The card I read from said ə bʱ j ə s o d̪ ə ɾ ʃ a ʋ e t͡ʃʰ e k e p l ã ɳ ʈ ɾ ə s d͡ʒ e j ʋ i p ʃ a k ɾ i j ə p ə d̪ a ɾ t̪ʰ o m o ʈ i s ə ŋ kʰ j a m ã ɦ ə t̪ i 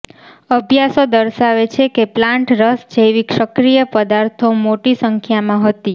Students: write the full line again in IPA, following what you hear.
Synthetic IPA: ə bʱ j a s o d̪ ə ɾ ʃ a ʋ e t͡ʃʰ e k e p l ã ɳ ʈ ɾ ə s d͡ʒ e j ʋ i k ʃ ə k ɾ i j ə p ə d̪ a ɾ t̪ʰ o m o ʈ i s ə ŋ kʰ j a m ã ɦ ə t̪ i

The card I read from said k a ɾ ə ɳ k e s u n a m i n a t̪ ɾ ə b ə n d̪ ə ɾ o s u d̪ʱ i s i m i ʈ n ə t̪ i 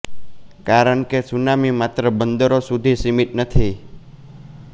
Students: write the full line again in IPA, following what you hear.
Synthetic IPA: k a ɾ ə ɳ k e s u n a m i m a t̪ ɾ ə b ə n d̪ ə ɾ o s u d̪ʱ i s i m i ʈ n ə t̪ʰ i

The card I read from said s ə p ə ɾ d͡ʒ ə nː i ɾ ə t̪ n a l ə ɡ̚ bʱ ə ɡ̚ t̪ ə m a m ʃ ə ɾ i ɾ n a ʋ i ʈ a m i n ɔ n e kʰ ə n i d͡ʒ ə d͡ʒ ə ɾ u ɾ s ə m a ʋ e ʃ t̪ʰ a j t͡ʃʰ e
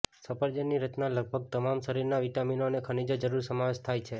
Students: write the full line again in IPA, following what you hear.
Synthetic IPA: s ə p ə ɾ d͡ʒ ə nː i ɾ ə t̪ n a l ə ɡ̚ bʱ ə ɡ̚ t̪ ə m a m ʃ ə ɾ i ɾ n a ʋ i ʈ a m i n o n e kʰ ə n i d͡ʒ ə d͡ʒ ə ɾ u ɾ s ə m a ʋ e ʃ t̪ʰ a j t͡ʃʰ e

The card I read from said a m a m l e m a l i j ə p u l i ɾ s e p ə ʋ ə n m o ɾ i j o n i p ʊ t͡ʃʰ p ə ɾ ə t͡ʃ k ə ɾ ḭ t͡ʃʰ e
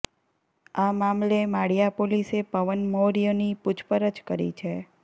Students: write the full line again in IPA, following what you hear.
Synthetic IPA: a m a m l e m a ɽ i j a p o l i s e p ə ʋ ə n m o ɾ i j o n i p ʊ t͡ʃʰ p ə ɾ ə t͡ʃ k ə ɾ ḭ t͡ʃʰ e

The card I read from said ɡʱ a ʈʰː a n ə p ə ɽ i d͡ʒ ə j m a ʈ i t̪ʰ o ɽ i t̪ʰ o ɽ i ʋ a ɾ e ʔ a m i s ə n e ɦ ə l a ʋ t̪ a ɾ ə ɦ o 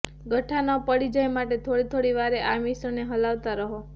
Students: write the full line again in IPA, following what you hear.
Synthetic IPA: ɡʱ ə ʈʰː a n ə p ə ɽ i d͡ʒ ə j m a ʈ e t̪ʰ o ɽ i t̪ʰ o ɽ i ʋ a ɾ e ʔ a m i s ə n e ɦ ə l a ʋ t̪ a ɾ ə ɦ o

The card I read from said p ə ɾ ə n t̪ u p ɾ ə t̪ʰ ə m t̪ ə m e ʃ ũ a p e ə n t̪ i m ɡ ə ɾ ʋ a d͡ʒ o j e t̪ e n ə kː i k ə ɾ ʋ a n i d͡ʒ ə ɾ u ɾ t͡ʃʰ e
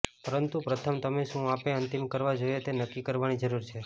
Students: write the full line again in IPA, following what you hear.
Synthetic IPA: p ə ɾ ə n t̪ u p ɾ ə t̪ʰ ə m t̪ ə m e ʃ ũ a p e ə n t̪ i m k ə ɾ ʋ a d͡ʒ o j e t̪ e n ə kː i k ə ɾ ʋ a n i d͡ʒ ə ɾ u ɾ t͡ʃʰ e

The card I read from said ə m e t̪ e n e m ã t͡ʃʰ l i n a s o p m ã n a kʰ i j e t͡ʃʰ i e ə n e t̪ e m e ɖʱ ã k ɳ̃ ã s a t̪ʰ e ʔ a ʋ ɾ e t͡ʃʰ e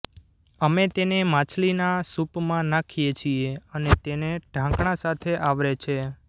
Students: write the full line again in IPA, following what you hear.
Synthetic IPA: ə m e t̪ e n e m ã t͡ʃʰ l i n a s u p m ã n a kʰ i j e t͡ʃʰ i e ə n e t̪ e n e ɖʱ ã k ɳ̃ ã s a t̪ʰ e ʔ a ʋ ɾ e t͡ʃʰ e

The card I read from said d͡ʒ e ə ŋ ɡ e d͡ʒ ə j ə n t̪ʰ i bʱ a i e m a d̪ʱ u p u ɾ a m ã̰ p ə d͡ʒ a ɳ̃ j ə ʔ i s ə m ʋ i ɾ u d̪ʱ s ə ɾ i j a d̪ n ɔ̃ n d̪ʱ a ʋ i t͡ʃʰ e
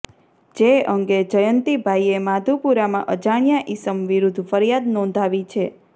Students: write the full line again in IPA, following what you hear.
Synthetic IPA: d͡ʒ e ə ŋ ɡ e d͡ʒ ə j ə n t̪ i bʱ a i e m a d̪ʱ u p u ɾ a m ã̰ ʔ ə d͡ʒ a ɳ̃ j a ʔ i s ə m ʋ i ɾ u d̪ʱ f ə ɾ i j a d̪ n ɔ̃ n d̪ʱ a ʋ i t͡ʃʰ e

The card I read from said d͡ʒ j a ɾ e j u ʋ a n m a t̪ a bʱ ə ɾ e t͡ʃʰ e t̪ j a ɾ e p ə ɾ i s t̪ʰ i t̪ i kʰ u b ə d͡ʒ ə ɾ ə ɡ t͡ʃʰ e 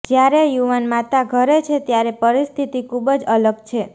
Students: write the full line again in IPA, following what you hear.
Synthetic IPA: d͡ʒ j a ɾ e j u ʋ a n m a t̪ a ɡʱ ə ɾ e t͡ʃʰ e t̪ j a ɾ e p ə ɾ i s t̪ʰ i t̪ i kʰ u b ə d͡ʒ ə l ə ɡ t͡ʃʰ e

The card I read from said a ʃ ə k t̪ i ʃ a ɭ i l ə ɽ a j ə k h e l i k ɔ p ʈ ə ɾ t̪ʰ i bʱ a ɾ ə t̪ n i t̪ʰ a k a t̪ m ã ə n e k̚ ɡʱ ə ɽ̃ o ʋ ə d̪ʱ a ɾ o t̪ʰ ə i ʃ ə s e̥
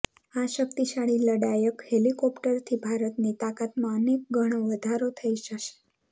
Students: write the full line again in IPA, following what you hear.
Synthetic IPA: a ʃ ə k t̪ i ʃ a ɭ i l ə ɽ a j ə k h e l i k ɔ p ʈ ə ɾ t̪ʰ i bʱ a ɾ ə t̪ n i t̪ a k a t̪ m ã ə n e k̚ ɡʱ ə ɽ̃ o ʋ ə d̪ʱ a ɾ o t̪ʰ ə i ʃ ə ʃ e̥

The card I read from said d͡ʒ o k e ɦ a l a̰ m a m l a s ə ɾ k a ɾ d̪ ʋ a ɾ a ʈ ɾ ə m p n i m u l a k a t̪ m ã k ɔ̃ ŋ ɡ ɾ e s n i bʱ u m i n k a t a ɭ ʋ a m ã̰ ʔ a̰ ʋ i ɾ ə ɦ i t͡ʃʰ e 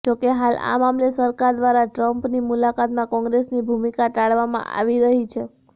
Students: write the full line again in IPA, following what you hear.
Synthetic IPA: d͡ʒ o k e ɦ a l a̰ m a m l e s ə ɾ k a ɾ d̪ ʋ a ɾ a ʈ ɾ ə m p n i m u l a k a t̪ m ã k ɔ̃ ŋ ɡ ɾ e s n i bʱ u m i k a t a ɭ ʋ a m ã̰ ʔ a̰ ʋ i ɾ ə ɦ i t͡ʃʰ e

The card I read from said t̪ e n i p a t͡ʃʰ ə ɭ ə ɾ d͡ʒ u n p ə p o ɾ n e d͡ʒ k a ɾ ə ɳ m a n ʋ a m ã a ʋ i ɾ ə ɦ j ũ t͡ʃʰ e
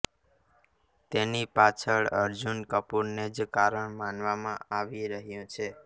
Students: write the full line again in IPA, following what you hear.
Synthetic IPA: t̪ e n i p a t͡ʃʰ ə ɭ ə ɾ d͡ʒ u n k ə p u ɾ n e d͡ʒ k a ɾ ə ɳ m a n ʋ a m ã a ʋ i ɾ ə ɦ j ũ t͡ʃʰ e

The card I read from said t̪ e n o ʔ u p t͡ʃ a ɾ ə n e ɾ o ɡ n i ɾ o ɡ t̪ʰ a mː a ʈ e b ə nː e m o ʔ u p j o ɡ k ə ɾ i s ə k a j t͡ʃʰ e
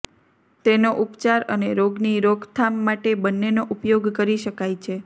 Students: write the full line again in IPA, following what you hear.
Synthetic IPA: t̪ e n o ʔ u p t͡ʃ a ɾ ə n e ɾ o ɡ n i ɾ o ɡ t̪ʰ a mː a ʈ e b ə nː e n o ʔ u p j o ɡ k ə ɾ i ʃ ə k a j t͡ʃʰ e

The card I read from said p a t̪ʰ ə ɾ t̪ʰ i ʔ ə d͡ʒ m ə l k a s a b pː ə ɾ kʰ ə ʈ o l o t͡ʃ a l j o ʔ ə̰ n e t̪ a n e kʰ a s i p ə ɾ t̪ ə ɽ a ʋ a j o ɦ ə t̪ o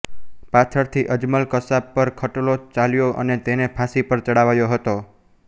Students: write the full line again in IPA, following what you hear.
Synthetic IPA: p a t̪ʰ ə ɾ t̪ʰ i ʔ ə d͡ʒ m ə l k ə s a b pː ə ɾ kʰ ə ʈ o l o t͡ʃ a l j o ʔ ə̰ n e t̪ e n e pʰ a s i p ə ɾ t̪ ə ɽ a ʋ a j o ɦ ə t̪ o

